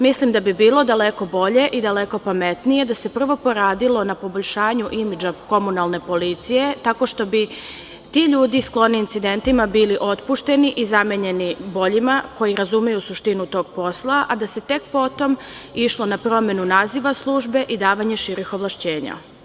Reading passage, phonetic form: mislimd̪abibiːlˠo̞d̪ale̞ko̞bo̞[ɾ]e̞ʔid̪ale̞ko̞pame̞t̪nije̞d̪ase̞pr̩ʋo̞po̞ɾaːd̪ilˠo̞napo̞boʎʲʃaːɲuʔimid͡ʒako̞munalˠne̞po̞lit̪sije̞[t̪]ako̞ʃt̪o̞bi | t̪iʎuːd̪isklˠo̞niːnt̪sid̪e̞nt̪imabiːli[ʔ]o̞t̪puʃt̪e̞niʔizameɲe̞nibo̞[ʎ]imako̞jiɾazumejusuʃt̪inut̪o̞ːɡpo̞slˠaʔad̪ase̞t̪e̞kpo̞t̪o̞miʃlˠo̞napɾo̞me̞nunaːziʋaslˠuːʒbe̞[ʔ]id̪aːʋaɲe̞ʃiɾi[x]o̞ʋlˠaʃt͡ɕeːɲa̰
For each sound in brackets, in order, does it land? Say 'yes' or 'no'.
no, yes, yes, yes, yes, yes

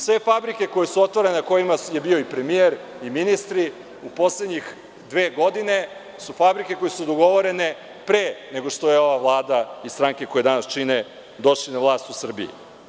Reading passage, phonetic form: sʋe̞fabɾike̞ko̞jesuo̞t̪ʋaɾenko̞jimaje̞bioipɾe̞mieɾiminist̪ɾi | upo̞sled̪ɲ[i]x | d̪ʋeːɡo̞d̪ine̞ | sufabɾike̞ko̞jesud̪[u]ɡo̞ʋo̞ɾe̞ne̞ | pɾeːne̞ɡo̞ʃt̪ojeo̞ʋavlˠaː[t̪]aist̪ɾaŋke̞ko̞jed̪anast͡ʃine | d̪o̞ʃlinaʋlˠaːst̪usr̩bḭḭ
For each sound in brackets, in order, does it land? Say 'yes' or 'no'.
yes, no, no

